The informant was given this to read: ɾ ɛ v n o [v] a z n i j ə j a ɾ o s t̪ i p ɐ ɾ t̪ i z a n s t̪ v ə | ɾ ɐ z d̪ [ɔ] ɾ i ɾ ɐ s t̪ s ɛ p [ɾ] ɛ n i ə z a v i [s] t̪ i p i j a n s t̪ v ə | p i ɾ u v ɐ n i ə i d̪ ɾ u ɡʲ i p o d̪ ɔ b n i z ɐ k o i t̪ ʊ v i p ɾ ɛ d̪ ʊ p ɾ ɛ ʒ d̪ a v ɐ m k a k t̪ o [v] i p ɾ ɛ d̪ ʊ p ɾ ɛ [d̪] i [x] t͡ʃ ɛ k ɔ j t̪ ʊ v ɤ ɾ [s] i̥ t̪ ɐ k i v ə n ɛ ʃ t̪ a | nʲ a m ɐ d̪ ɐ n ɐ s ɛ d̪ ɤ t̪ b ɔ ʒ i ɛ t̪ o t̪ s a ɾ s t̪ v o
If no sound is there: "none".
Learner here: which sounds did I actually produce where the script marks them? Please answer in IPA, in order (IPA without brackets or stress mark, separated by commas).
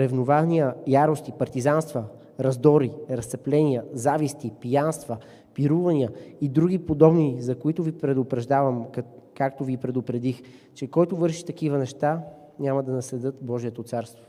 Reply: v, ɔ, l, s, v, d̪, x, ʃ